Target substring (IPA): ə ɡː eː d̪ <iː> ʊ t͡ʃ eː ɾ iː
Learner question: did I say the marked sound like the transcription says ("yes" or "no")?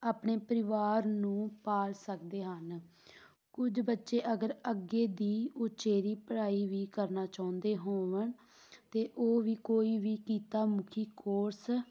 yes